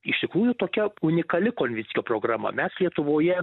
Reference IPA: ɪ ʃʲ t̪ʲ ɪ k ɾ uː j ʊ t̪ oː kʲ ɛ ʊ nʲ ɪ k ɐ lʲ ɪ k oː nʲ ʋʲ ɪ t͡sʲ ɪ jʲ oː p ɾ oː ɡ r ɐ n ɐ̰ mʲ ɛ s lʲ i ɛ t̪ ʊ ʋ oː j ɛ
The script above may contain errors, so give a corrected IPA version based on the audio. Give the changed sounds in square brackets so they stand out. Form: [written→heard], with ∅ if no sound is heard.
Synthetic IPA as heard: ɪ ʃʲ t̪ʲ ɪ k ɾ uː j ʊ t̪ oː kʲ ɛ ʊ nʲ ɪ k ɐ lʲ ɪ k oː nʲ ʋʲ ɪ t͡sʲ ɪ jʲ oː p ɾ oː ɡ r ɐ [n→m] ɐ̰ mʲ ɛ s lʲ i ɛ t̪ ʊ ʋ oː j ɛ